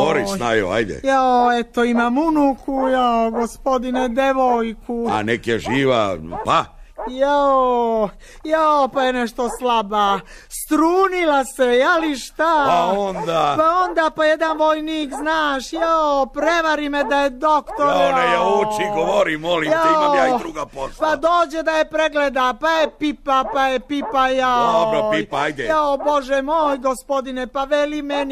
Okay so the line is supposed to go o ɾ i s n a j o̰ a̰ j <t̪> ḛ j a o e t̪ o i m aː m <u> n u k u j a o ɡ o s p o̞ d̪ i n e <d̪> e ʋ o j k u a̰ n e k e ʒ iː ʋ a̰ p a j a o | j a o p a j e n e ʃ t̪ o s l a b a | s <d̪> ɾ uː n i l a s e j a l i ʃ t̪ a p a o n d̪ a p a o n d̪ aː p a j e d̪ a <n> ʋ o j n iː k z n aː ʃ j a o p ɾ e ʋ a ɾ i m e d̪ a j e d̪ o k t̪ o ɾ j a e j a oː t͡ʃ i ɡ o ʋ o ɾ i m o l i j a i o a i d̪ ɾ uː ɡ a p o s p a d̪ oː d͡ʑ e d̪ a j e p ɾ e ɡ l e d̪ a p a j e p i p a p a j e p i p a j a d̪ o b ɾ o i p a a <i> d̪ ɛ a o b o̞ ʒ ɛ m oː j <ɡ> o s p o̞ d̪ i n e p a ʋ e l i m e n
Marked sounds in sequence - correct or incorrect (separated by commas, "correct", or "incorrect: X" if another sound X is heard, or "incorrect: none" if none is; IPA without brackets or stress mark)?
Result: incorrect: d̪, correct, correct, incorrect: t̪, correct, incorrect: j, correct